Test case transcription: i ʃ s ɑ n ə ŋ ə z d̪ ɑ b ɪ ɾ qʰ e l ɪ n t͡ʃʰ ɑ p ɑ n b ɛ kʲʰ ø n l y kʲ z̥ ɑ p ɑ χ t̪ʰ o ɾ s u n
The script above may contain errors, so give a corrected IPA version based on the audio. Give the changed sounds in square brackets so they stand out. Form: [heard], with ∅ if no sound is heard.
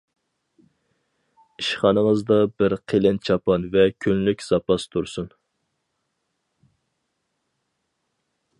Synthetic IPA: i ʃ [χ] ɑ n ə ŋ ə z d̪ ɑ b ɪ ɾ qʰ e l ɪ n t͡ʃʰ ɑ p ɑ n [v] ɛ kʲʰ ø n l y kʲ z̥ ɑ p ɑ [s] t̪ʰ [u] ɾ s u n